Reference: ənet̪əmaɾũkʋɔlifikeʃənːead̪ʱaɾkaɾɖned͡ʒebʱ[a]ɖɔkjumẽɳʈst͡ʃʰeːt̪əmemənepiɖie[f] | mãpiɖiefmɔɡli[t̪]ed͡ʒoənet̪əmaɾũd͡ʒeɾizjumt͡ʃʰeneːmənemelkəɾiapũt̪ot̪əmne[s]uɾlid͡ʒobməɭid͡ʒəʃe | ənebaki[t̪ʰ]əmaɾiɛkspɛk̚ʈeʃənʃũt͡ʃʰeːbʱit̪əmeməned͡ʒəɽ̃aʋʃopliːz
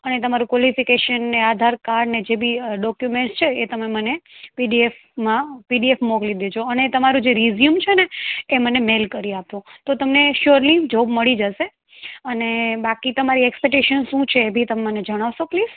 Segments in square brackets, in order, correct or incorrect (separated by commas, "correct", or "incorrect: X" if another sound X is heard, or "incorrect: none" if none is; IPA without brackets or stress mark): incorrect: i, correct, incorrect: d̪, incorrect: ʃ, incorrect: t̪